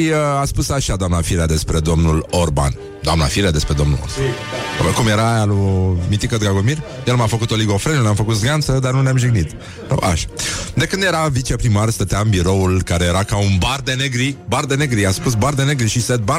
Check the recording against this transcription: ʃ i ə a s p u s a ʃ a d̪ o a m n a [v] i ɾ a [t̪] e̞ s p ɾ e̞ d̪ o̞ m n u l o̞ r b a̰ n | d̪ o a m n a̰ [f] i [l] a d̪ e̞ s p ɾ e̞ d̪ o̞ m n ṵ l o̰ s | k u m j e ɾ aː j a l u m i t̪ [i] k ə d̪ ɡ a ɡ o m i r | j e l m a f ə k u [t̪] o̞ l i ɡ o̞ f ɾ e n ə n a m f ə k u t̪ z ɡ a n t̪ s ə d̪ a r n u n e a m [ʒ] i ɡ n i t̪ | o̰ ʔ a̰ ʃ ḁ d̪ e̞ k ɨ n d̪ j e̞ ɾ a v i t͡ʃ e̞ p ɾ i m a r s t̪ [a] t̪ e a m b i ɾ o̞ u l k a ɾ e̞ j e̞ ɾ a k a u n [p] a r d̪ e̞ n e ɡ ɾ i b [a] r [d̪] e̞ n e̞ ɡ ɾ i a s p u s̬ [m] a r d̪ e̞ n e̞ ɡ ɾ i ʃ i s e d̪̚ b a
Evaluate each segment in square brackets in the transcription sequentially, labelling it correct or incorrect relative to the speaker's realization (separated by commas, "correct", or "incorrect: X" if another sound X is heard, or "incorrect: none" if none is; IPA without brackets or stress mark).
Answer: incorrect: f, incorrect: d̪, correct, incorrect: ɾ, correct, correct, correct, incorrect: ə, incorrect: b, correct, correct, incorrect: b